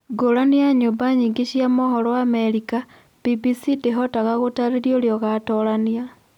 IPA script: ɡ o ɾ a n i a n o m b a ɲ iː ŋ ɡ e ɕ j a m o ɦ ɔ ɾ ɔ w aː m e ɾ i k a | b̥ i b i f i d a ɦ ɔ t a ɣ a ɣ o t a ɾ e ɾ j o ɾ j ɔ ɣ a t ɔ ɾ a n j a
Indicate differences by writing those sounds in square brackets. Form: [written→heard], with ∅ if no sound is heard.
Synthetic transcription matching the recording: ɡ o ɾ a n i a [n→ɲ] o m b a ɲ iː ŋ ɡ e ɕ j a m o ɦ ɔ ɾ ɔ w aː m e ɾ i k a | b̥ i b i [f→s] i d [a→e] ɦ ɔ t a ɣ a ɣ o t a ɾ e ɾ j o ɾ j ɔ ɣ a t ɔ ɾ a n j a